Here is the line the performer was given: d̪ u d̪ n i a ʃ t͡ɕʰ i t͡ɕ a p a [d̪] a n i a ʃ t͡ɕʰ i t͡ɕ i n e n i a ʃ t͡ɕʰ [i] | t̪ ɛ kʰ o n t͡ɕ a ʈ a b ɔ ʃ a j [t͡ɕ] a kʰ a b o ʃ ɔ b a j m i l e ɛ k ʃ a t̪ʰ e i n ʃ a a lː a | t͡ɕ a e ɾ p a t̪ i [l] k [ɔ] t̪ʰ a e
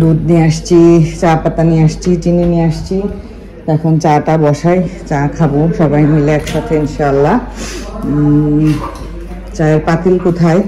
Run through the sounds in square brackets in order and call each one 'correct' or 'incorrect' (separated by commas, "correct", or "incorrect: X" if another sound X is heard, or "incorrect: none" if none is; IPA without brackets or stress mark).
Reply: incorrect: t̪, correct, correct, correct, incorrect: o